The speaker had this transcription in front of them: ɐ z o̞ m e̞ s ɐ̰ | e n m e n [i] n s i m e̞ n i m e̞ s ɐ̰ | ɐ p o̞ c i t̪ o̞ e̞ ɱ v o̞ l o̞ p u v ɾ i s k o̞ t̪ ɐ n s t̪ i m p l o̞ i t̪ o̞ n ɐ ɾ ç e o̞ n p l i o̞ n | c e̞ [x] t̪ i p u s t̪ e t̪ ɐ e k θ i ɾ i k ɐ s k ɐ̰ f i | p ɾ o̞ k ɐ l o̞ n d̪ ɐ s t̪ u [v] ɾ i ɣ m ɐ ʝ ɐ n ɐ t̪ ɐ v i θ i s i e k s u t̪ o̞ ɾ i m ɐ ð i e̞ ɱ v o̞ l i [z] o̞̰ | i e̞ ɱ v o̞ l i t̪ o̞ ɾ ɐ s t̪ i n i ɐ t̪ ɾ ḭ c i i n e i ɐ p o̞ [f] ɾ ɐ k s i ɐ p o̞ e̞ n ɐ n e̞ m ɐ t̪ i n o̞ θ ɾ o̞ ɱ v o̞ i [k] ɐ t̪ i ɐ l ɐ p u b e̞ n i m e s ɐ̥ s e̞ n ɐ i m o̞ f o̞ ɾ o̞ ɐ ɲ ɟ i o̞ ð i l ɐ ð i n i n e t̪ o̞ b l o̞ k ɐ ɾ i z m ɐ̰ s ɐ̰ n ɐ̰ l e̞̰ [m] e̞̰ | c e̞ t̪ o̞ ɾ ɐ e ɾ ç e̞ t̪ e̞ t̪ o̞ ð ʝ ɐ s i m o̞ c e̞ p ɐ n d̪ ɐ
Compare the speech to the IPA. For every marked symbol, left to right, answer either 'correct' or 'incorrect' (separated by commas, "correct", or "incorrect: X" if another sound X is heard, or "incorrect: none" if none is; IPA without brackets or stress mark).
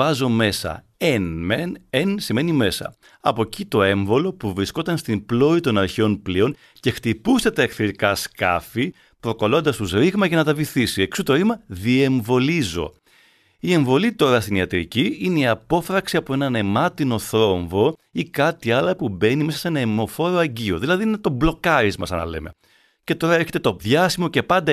incorrect: e, correct, incorrect: z, correct, correct, correct, correct